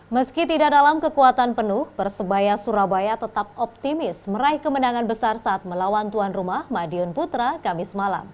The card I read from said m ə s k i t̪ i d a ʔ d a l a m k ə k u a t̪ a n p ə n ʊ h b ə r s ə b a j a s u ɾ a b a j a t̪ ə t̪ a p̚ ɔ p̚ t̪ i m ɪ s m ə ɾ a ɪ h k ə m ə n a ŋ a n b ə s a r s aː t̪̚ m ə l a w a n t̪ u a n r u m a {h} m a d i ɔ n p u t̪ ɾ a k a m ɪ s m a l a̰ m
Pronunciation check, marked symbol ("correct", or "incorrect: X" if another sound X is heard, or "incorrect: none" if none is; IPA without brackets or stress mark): correct